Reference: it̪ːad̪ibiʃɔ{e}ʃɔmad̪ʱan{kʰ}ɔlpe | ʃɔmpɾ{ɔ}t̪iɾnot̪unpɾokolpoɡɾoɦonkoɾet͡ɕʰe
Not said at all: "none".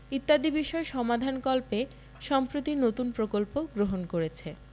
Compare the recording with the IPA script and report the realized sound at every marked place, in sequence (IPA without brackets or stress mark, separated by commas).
e, k, o